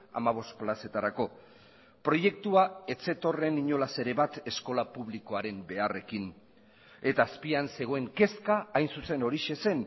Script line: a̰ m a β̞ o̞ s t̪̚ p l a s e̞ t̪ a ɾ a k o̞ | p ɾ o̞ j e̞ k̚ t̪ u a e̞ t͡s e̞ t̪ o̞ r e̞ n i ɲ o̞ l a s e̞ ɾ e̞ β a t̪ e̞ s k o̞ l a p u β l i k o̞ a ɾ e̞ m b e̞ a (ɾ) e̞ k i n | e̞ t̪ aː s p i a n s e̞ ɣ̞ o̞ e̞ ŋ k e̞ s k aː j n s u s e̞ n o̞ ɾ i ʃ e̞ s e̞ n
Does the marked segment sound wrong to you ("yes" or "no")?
yes